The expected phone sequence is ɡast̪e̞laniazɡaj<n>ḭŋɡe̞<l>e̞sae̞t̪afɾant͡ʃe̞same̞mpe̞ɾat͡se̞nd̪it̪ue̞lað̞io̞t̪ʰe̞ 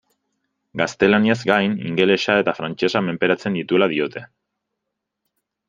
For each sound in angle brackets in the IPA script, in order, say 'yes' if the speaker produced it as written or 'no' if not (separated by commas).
yes, yes